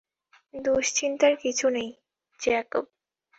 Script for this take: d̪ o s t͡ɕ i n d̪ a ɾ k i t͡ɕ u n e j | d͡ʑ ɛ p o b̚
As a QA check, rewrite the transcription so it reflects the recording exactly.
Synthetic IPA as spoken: d̪ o ʃ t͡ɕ i n t̪ a ɾ k i t͡ɕʰ u n e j | d͡ʑ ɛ k o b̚

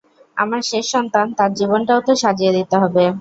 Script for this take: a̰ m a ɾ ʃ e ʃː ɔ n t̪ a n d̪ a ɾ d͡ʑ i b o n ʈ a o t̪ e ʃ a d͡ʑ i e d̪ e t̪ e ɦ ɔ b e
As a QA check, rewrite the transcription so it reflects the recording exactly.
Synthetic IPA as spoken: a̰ m a ɾ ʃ e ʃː ɔ n t̪ a n t̪ a ɾ d͡ʑ i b o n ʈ a o t̪ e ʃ a d͡ʑ i e d̪ i t̪ e ɦ ɔ b e

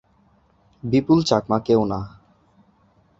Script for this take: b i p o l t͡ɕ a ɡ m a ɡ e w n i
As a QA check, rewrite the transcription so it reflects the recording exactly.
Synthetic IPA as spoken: b i p u l t͡ɕ a k m a k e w n a

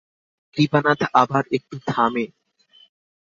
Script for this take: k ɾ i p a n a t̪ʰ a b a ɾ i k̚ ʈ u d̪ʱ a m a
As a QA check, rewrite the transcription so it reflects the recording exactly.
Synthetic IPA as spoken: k ɾ i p a n a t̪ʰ a b a ɾ e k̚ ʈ u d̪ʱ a m e

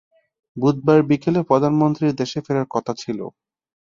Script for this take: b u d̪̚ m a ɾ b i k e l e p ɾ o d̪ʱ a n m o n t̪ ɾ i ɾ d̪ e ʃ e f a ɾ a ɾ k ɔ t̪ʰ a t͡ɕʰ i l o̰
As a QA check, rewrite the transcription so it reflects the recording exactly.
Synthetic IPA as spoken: b u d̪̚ b a ɾ b i k e l e p ɾ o d̪ʱ a n m o n t̪ ɾ i ɾ d̪ e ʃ e f e ɾ a ɾ k ɔ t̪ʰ a t͡ɕʰ i l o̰

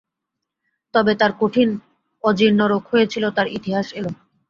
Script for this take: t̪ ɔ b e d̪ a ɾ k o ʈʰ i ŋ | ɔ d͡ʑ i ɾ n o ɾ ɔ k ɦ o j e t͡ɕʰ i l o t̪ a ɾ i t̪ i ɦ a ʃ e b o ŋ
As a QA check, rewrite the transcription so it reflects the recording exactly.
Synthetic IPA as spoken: t̪ ɔ b e t̪ a ɾ k o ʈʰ i n | ɔ d͡ʑ i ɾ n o ɾ o k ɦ o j e t͡ɕʰ i l o t̪ a ɾ i t̪ i ɦ a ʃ e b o ŋ

